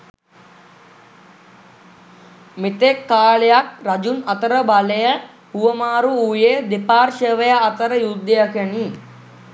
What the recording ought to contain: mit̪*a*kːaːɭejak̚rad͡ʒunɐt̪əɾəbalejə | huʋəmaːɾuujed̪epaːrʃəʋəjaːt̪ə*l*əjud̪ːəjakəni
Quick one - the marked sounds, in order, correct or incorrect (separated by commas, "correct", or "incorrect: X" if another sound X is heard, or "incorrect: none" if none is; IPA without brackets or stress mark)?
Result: incorrect: e, incorrect: ɾ